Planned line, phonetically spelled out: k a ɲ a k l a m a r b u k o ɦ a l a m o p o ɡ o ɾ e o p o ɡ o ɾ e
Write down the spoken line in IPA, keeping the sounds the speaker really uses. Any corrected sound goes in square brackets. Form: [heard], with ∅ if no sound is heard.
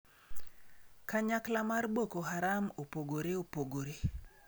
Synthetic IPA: k a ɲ a k l a m a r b [o] k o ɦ a [ɾ] a m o p o ɡ o ɾ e o p o ɡ o ɾ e